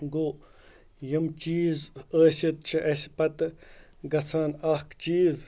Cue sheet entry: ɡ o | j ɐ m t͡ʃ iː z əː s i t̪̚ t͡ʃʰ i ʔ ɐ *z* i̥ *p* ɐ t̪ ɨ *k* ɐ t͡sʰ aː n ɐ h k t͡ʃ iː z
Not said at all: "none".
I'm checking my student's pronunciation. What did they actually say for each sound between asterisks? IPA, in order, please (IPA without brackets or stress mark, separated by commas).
s, p, ɡ